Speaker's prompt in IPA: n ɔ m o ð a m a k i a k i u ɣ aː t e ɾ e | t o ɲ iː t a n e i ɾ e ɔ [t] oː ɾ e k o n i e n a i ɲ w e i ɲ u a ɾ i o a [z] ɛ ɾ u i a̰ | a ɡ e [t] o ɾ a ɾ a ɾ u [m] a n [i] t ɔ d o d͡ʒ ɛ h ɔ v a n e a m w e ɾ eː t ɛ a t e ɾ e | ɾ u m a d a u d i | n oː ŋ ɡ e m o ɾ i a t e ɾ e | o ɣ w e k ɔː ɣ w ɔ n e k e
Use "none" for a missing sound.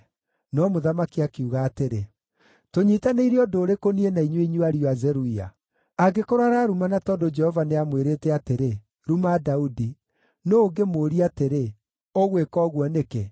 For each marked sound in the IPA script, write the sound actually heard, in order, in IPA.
d, z, k, m, a

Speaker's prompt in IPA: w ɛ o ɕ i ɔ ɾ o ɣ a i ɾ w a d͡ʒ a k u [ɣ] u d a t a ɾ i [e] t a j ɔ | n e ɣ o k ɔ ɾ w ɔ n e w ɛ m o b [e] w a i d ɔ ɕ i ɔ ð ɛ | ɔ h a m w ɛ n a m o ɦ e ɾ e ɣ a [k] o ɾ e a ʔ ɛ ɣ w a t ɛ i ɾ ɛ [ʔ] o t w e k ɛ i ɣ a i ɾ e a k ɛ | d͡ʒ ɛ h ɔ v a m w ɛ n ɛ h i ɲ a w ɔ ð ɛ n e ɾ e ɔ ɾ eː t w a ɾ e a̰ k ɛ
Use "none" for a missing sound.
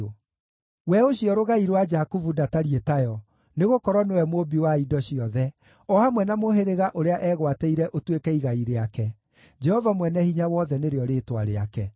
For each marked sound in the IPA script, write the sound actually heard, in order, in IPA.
v, e, i, ʔ, ʔ

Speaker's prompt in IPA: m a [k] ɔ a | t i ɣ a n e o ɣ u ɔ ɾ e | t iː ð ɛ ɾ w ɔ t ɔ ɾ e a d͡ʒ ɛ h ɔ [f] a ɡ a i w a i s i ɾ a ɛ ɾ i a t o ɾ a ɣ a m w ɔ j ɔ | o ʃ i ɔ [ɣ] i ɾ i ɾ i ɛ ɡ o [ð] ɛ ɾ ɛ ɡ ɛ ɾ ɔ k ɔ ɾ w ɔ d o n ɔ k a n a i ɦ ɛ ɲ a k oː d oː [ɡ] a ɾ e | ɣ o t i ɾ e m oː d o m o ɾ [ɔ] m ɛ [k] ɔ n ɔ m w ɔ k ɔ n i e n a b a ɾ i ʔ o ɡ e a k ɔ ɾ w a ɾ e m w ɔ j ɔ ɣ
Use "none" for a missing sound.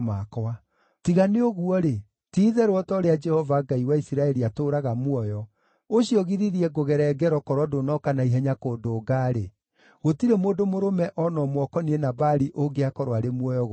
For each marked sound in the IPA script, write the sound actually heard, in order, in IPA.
k, v, ɣ, ɣ, ɡ, o, ʔ

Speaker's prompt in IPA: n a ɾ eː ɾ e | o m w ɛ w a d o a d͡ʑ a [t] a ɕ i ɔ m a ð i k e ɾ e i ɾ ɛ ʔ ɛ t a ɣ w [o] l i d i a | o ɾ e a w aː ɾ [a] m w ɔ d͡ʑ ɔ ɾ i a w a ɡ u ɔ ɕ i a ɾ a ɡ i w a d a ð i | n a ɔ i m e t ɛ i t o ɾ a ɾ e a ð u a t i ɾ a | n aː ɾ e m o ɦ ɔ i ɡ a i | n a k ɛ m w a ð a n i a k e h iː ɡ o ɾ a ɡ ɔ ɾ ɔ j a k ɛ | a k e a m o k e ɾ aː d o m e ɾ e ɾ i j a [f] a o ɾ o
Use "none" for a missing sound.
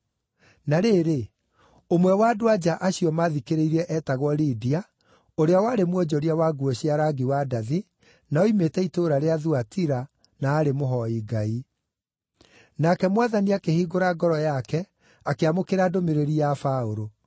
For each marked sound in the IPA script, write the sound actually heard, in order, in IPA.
ʔ, ɔ, e, f

